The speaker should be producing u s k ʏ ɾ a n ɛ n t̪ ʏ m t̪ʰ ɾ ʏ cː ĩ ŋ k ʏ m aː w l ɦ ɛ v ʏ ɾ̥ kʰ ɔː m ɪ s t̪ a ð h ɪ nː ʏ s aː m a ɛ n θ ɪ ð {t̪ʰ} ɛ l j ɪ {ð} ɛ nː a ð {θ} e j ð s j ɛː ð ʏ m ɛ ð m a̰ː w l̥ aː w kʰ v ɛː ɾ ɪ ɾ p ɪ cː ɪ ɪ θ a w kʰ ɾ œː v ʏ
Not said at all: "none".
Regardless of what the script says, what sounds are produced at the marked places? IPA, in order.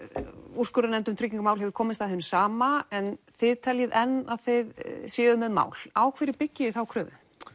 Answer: t̪ʰ, ð, θ

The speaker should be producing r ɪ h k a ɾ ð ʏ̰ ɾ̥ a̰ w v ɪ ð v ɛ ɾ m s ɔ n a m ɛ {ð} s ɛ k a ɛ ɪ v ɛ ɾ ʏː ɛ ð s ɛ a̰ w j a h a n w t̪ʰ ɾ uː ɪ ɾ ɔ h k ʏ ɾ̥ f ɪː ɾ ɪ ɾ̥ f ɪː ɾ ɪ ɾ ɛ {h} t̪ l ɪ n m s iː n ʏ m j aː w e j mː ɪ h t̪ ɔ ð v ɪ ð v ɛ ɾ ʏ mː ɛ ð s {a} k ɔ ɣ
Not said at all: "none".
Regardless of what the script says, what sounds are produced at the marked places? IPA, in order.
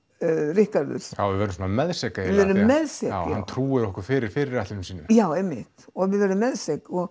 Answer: ð, h, ɛ

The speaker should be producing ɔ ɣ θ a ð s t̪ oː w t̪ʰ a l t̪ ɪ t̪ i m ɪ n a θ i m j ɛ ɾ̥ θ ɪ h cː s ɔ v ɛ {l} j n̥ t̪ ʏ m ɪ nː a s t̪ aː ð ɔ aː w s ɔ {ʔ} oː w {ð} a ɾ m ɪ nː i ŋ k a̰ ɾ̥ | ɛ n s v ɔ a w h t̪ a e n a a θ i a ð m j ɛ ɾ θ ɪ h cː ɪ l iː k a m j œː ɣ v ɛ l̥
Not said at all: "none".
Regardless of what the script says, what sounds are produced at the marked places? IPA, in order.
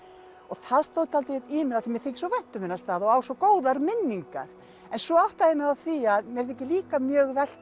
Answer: none, k, ð

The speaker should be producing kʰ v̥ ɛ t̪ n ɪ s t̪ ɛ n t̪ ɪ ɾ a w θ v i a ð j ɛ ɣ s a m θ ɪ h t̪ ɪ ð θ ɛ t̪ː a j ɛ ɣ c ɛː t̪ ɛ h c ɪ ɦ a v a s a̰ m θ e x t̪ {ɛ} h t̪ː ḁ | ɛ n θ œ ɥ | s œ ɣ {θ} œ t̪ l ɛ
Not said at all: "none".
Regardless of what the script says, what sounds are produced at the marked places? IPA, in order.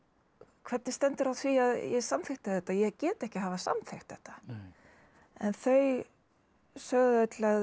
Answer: ɛ, ð

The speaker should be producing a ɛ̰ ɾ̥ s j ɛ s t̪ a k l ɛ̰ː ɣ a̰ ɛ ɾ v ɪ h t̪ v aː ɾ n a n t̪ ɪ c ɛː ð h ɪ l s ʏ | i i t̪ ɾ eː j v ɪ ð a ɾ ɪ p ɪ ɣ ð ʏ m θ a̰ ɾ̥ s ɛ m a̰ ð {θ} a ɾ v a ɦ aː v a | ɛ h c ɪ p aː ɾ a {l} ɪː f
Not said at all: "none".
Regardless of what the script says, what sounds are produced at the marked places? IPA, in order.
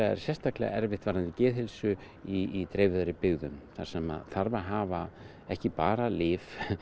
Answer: θ, l

